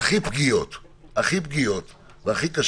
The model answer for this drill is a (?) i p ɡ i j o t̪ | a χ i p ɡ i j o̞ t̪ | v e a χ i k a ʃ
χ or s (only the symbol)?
χ